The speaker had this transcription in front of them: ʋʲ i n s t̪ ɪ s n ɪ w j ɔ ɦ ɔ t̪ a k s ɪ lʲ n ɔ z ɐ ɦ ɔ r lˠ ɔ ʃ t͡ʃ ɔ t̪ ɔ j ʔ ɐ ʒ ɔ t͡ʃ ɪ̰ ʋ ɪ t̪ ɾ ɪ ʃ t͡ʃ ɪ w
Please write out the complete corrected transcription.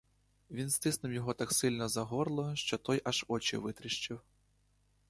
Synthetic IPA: ʋʲ i n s t̪ ɪ s n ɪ w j ɔ ɦ ɔ t̪ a k s ɪ lʲ n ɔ z ɐ ɦ ɔ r lˠ ɔ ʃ t͡ʃ ɔ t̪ ɔ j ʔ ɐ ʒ ɔ t͡ʃ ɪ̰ ʋ ɪ t̪ ɾ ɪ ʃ t͡ʃ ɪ w